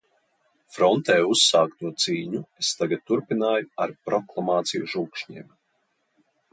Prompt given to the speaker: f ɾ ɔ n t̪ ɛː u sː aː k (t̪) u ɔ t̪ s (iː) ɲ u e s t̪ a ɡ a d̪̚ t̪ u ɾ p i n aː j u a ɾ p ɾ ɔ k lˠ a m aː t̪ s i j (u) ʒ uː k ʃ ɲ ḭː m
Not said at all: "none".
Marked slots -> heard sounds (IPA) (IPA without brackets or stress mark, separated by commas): t̪, iː, u